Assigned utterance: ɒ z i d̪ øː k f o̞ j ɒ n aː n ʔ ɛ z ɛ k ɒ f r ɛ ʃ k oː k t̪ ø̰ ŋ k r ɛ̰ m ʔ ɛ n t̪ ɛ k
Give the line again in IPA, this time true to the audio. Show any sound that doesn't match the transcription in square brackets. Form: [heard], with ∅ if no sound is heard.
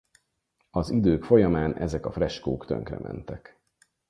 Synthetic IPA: ɒ z i d̪ øː k f o̞ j ɒ [m] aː n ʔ ɛ z ɛ k ɒ f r ɛ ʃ k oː k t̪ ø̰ ŋ k r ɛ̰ m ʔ ɛ n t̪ ɛ k